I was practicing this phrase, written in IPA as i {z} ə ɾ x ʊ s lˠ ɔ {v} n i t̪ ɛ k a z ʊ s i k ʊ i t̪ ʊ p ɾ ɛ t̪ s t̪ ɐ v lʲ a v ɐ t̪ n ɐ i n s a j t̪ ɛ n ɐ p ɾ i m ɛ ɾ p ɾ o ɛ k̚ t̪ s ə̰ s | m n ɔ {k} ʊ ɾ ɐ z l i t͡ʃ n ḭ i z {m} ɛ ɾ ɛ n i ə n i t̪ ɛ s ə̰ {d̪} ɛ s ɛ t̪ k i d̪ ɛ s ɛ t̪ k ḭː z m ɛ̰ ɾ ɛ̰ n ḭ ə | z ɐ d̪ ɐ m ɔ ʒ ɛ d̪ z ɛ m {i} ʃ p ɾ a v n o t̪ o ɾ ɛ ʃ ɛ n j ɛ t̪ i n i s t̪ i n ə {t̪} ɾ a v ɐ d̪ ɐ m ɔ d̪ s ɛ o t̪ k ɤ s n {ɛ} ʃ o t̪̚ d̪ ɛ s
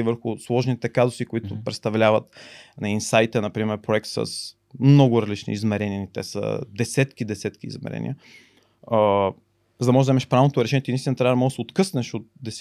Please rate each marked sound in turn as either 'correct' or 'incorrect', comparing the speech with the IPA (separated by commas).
incorrect, incorrect, incorrect, correct, correct, incorrect, correct, correct